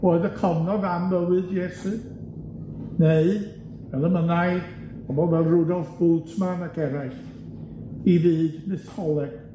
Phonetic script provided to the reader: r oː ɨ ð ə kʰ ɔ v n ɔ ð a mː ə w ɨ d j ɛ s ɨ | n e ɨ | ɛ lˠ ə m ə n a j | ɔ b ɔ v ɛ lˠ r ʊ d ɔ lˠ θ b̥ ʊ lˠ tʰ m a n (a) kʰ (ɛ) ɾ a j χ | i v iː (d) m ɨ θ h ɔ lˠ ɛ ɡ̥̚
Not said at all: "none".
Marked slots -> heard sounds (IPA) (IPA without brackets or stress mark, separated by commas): a, ɛ, d